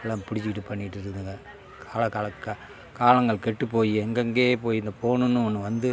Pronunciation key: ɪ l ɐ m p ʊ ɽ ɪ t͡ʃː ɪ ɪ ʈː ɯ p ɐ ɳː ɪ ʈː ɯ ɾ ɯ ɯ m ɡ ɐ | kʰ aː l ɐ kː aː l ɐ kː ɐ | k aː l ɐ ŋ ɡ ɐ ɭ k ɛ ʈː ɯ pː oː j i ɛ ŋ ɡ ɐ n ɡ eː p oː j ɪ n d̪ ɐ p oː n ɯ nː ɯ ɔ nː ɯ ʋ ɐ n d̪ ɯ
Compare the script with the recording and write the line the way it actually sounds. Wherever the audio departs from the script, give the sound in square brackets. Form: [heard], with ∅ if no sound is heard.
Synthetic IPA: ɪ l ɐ m p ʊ ɽ ɪ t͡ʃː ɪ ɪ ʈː ɯ p ɐ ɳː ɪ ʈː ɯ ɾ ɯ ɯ [ŋ] ɡ ɐ | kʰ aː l ɐ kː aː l ɐ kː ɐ | k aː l ɐ ŋ ɡ ɐ ɭ k ɛ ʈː ɯ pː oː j i ɛ ŋ ɡ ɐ [ŋ] ɡ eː p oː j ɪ n d̪ ɐ p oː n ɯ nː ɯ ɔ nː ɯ ʋ ɐ n d̪ ɯ